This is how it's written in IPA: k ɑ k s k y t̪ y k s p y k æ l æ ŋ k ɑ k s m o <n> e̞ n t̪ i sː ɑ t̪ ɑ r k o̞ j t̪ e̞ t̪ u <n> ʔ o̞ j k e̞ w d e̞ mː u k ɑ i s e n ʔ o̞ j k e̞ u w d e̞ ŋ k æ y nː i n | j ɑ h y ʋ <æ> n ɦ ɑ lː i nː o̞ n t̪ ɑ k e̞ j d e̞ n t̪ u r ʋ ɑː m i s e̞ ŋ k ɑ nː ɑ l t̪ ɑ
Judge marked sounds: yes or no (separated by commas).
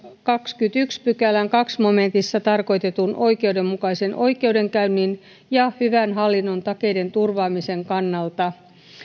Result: no, yes, yes